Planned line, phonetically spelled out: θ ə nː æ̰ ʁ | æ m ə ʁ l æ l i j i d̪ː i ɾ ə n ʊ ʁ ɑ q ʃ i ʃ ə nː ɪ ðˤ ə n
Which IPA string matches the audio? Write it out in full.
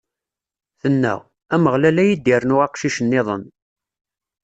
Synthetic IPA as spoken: θ ə nː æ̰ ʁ | æ m ə ʁ l æ l æ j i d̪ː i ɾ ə n ʊ ʁ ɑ q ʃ i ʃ ə nː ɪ ðˤ ə n